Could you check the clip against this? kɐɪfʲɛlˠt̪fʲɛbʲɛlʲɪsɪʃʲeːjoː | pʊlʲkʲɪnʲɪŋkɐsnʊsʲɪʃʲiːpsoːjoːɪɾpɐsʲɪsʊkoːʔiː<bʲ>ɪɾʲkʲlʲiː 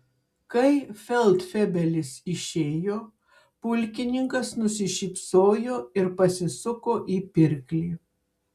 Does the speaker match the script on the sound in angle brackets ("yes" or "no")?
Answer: no